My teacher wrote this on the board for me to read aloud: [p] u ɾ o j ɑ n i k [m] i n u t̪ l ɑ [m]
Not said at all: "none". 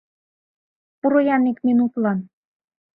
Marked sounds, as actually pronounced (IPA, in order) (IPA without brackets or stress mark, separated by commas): p, m, n